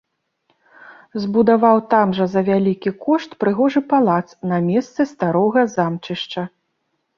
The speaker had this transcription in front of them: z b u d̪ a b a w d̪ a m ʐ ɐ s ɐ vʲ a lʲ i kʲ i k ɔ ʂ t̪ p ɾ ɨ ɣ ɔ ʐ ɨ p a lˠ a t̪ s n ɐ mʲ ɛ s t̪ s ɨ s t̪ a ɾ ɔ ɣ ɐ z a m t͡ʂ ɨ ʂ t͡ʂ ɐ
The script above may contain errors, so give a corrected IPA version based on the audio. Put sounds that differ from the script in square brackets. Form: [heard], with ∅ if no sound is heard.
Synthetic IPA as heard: z b u d̪ a [v] a w [t̪] a m ʐ ɐ [z] ɐ vʲ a lʲ i kʲ i k ɔ ʂ t̪ p ɾ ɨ ɣ ɔ ʐ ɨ p a lˠ a t̪ s n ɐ mʲ ɛ s t̪ s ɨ s t̪ a ɾ ɔ ɣ ɐ z a m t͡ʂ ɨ ʂ t͡ʂ ɐ